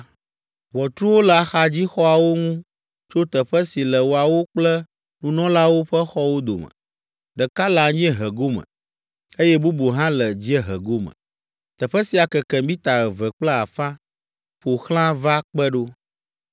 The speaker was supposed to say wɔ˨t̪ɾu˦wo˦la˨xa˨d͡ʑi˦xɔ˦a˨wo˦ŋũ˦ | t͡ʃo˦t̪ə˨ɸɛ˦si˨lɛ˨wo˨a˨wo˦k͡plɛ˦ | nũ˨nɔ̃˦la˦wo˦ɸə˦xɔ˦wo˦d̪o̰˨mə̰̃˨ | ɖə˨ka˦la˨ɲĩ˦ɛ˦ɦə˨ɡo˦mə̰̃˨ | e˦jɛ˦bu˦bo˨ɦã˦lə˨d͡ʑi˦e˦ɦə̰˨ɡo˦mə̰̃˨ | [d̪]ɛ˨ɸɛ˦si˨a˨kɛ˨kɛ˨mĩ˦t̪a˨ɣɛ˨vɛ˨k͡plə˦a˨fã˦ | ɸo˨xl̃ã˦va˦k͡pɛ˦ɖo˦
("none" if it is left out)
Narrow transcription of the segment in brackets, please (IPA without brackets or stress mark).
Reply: t̪